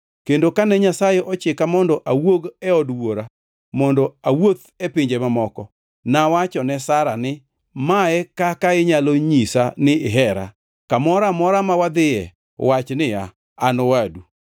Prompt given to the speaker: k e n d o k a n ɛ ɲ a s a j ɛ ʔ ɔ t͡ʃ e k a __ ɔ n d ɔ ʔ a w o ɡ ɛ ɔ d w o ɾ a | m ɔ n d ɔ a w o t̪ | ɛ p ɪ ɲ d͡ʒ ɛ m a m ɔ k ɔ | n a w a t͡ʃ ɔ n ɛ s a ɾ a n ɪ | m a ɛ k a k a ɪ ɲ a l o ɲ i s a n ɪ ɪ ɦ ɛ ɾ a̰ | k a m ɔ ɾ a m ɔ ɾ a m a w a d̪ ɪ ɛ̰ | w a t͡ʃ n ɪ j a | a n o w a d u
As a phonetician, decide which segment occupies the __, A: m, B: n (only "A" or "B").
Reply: A